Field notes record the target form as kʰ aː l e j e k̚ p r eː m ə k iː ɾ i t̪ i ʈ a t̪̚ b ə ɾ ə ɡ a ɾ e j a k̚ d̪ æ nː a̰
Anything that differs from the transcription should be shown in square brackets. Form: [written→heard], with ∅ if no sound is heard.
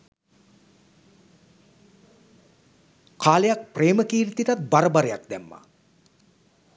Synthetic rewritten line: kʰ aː l e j [e→a] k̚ p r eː m ə k iː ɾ i t̪ i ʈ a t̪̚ b [ə→a] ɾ ə [ɡ→b] a ɾ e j a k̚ d̪ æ [nː→mː] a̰